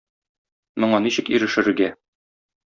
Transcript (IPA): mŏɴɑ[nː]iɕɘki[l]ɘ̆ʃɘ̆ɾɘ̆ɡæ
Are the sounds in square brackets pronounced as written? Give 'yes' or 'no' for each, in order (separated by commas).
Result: no, no